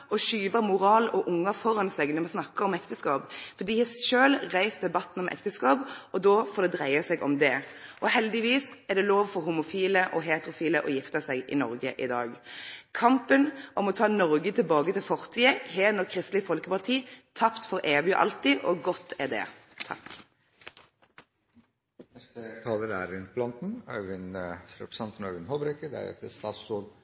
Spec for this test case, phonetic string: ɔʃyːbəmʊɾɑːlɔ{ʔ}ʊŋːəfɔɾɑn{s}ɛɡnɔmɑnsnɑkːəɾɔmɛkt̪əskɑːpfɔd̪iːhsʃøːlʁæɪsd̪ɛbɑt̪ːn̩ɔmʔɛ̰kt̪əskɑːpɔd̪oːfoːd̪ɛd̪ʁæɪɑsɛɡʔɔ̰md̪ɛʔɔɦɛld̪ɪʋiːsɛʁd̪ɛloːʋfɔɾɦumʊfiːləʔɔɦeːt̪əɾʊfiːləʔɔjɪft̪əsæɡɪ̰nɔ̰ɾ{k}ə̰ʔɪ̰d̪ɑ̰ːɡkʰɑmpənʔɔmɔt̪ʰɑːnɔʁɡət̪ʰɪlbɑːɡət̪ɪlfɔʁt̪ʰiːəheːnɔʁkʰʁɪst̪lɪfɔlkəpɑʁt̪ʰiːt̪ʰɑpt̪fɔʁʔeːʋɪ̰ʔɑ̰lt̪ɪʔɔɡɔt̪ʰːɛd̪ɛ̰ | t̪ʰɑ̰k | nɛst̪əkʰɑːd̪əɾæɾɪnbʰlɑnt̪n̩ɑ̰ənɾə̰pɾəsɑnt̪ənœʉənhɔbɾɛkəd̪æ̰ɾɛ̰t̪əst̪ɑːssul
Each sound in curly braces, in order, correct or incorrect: correct, correct, incorrect

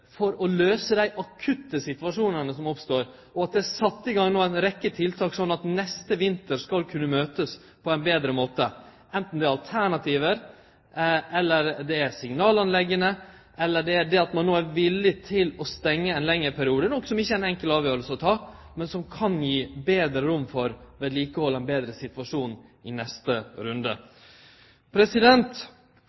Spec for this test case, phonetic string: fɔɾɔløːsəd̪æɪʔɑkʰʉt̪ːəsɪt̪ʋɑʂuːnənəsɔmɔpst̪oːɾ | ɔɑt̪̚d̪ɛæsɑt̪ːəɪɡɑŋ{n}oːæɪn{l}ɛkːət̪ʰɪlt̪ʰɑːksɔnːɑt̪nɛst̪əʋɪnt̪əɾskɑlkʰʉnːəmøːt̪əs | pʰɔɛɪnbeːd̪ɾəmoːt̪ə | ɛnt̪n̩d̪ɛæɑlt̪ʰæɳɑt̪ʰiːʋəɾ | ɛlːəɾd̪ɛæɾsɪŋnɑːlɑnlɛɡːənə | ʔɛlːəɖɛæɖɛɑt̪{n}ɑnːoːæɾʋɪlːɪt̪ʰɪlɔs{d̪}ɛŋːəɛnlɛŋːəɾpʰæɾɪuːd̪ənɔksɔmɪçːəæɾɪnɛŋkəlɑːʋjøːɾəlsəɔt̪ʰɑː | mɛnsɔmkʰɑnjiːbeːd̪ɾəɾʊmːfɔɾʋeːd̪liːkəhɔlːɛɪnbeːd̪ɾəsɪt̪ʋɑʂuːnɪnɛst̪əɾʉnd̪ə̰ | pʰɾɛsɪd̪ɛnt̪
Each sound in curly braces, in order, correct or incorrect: correct, incorrect, incorrect, incorrect

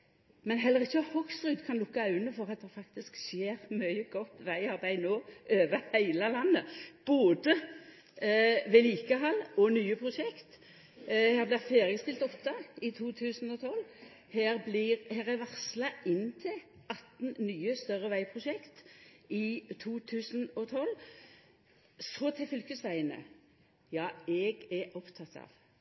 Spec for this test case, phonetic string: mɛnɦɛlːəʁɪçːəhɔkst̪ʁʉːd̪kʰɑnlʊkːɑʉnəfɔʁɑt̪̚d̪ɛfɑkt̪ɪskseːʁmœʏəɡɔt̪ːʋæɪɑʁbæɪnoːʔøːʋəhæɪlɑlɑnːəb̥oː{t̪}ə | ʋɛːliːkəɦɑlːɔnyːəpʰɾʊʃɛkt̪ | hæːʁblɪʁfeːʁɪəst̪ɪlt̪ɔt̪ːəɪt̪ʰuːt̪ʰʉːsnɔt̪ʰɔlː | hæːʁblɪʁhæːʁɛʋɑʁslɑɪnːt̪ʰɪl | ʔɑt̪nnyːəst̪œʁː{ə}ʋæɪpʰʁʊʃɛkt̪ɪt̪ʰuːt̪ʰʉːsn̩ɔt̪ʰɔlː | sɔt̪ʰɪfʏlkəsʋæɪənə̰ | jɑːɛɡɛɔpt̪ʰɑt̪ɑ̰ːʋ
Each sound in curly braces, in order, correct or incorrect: incorrect, correct

